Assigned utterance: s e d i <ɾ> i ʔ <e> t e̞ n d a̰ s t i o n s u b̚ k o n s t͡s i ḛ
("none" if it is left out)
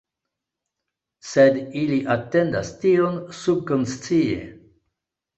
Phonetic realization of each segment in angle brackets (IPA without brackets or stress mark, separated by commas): l, a